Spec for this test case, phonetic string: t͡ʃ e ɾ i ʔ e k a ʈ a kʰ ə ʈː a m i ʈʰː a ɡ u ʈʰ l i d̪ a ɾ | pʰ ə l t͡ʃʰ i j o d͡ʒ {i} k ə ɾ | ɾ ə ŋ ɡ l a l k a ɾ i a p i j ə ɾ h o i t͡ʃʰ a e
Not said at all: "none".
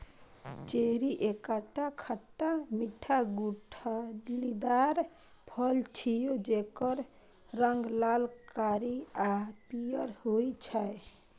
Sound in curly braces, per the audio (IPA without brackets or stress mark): e